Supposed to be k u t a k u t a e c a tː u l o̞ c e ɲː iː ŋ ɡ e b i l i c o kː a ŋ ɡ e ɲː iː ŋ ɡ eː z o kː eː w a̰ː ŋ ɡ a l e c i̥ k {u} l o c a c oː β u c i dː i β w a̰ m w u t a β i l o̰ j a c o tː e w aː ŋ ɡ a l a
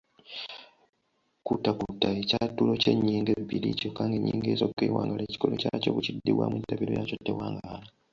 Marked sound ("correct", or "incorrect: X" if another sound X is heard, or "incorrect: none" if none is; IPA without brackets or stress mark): incorrect: o